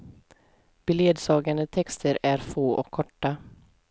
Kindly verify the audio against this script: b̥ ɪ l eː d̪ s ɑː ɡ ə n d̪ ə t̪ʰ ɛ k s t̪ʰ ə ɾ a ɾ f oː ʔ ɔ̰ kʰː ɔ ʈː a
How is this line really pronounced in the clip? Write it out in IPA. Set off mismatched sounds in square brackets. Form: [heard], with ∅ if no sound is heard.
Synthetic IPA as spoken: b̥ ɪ l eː d̪ s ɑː ɡ [a] n d̪ ə t̪ʰ ɛ k s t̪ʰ ə ɾ [æ] ɾ f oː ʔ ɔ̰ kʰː ɔ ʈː a